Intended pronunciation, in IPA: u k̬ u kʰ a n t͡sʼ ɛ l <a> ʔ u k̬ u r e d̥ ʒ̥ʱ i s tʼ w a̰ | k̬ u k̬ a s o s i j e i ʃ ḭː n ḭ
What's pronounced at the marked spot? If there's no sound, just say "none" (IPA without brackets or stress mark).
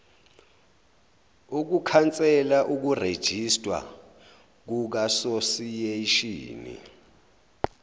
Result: a